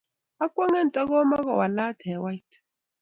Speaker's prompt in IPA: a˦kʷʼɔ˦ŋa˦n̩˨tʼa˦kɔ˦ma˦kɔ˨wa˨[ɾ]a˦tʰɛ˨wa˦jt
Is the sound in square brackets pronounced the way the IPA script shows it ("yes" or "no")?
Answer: no